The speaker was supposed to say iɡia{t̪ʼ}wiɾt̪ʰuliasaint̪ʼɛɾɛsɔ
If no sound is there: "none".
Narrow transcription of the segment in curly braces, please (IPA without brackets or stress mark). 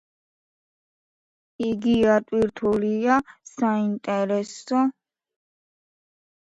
t̪ʼ